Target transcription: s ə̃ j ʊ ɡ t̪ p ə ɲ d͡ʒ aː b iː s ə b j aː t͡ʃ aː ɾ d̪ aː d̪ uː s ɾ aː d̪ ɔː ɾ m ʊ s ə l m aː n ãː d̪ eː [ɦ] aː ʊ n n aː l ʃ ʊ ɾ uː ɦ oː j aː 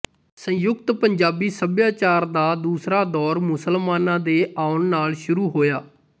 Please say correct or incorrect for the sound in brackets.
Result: incorrect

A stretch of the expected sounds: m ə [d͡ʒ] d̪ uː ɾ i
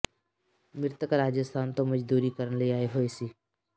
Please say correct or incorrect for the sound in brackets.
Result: correct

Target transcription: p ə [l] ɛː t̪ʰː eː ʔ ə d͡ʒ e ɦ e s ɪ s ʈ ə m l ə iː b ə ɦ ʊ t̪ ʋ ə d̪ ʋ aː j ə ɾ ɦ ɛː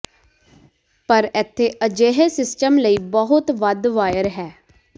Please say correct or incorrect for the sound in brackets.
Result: incorrect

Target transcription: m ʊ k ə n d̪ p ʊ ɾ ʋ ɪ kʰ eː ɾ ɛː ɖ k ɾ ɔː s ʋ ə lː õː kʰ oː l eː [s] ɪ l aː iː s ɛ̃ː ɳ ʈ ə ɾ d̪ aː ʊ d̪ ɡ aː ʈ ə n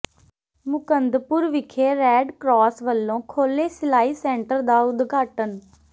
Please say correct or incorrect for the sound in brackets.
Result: correct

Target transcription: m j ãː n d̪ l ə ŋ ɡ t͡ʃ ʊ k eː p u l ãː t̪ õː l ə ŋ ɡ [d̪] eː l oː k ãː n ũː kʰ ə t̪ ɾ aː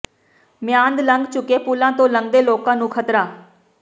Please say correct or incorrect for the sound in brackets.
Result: correct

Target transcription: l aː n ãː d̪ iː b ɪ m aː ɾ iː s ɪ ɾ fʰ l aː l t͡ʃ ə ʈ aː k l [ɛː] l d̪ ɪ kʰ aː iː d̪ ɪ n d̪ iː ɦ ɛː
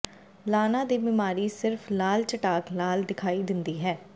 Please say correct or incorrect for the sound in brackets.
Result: incorrect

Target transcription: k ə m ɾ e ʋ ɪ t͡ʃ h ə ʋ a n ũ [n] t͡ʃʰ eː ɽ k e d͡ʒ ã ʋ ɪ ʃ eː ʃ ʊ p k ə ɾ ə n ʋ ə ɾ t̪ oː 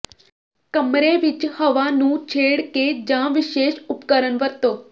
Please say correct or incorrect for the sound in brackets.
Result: incorrect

